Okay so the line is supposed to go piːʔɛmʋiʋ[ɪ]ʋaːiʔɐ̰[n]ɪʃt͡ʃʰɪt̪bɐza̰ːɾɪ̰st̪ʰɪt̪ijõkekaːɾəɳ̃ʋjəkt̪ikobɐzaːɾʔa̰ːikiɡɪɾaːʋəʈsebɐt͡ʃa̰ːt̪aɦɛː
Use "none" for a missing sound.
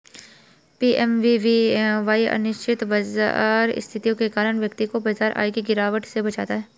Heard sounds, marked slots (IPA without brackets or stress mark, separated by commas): i, n